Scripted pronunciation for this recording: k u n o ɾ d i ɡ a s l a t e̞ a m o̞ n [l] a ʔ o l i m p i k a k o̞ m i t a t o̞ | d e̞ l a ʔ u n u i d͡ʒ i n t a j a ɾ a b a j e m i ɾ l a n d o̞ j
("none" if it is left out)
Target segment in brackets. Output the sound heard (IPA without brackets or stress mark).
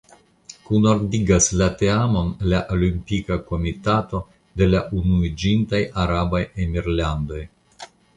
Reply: l